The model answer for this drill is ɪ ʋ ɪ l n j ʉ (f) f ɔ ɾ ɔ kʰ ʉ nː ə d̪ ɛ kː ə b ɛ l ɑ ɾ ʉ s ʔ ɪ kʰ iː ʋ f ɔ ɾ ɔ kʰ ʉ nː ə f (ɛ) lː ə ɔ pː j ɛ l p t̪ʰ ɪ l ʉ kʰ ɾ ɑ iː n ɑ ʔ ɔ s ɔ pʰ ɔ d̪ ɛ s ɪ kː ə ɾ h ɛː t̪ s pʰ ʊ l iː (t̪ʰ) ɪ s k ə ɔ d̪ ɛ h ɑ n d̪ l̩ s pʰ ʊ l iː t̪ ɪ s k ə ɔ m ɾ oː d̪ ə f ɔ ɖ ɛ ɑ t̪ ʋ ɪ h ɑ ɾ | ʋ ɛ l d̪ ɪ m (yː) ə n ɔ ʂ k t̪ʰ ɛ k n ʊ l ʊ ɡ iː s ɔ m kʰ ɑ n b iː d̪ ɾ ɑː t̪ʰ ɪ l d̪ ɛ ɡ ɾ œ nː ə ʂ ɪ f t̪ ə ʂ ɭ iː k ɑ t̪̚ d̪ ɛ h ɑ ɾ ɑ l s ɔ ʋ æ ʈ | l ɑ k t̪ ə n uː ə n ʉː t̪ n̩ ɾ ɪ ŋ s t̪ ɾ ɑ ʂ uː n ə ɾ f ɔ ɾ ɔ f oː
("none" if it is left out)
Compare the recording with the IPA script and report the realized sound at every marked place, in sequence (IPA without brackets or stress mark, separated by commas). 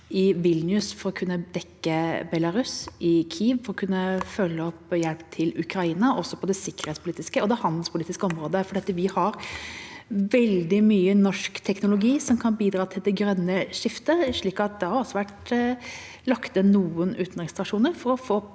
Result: s, œ, t̪, yː